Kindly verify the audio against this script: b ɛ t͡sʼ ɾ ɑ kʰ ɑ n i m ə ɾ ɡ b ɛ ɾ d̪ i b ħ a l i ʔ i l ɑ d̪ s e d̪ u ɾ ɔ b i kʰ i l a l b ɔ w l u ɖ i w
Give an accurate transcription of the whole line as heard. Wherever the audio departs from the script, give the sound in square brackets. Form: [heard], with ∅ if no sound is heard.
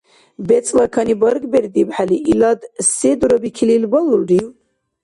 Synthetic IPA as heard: b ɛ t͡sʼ [l] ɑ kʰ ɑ n i [b] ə ɾ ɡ b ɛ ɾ d̪ i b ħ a l i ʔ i l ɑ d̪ s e d̪ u ɾ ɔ b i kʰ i l [i] l b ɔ [∅] l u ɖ i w